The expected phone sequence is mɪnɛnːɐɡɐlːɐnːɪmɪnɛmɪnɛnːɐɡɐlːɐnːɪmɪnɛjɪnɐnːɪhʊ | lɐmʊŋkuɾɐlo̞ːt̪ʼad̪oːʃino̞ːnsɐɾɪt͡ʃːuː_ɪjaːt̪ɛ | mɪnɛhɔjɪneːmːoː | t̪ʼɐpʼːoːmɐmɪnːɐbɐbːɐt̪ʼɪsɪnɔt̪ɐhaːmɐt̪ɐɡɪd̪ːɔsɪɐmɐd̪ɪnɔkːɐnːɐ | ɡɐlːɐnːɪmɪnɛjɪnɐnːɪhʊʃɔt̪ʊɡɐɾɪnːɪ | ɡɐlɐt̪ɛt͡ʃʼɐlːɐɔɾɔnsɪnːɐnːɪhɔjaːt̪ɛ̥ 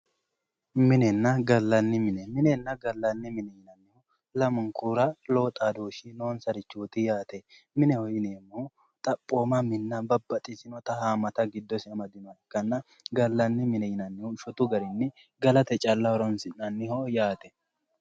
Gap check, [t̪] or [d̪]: t̪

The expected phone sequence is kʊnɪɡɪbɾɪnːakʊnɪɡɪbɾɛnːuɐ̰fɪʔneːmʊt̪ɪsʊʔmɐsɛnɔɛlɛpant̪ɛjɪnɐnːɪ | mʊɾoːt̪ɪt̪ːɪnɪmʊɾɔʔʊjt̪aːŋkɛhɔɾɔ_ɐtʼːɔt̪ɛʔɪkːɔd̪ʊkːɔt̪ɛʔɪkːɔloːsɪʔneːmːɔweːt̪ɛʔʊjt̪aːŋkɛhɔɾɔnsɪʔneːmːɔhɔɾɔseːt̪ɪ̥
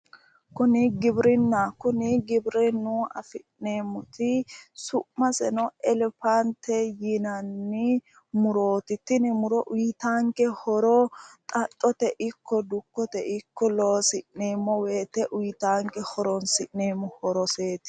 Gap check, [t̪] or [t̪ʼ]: t̪ʼ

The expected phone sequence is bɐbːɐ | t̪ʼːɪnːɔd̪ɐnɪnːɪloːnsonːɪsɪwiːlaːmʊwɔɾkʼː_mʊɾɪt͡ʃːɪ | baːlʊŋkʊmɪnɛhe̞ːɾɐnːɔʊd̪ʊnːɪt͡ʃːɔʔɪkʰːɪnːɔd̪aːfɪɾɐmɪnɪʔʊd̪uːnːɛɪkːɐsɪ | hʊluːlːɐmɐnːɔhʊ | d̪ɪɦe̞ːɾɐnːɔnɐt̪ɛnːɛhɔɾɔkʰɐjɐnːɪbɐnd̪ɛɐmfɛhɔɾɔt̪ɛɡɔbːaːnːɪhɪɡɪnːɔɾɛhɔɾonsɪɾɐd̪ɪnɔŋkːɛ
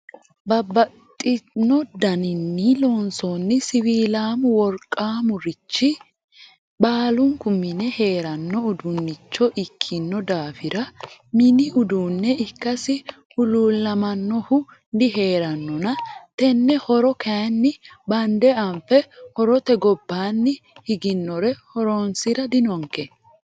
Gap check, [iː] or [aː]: aː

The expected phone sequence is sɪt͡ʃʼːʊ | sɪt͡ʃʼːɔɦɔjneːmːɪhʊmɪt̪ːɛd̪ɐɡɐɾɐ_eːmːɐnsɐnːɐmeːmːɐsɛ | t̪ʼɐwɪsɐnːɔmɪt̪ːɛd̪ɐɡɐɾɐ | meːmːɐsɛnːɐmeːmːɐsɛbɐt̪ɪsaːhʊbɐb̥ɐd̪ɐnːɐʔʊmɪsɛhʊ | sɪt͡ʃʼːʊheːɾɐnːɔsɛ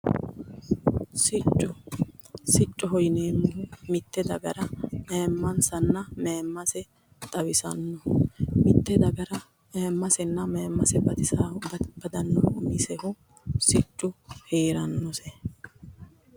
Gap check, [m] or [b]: m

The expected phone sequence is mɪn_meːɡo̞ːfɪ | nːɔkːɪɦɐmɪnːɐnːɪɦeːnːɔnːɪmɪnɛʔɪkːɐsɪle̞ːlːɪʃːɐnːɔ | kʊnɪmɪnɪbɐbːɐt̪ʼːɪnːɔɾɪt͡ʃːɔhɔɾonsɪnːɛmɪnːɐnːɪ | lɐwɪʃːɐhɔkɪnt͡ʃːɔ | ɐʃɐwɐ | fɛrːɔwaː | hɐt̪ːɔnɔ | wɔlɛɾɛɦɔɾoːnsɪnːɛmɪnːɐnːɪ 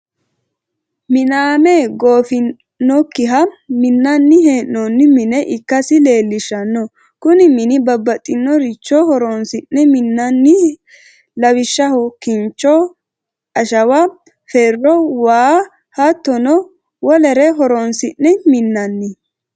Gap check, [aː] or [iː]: aː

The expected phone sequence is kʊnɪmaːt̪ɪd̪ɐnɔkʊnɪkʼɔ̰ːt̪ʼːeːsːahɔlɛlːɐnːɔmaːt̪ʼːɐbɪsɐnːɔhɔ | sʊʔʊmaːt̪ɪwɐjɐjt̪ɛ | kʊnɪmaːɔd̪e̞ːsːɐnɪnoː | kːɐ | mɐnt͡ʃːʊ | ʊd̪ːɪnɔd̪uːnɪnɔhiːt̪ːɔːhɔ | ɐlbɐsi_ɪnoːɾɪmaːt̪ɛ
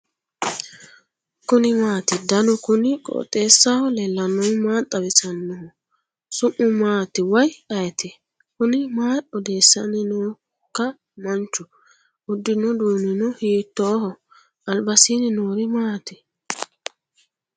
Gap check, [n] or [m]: n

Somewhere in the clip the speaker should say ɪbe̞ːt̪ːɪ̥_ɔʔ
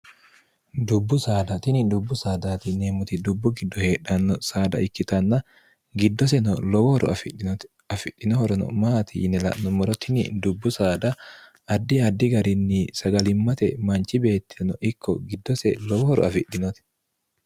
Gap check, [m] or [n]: n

